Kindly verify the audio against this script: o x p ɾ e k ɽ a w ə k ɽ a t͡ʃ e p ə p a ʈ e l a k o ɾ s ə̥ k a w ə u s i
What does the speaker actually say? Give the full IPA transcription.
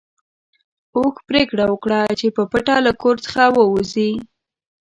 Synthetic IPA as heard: o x p ɾ e k ɽ a w ə k ɽ a t͡ʃ e p ə p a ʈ a l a k o ɾ t͡s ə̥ x a w ə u z i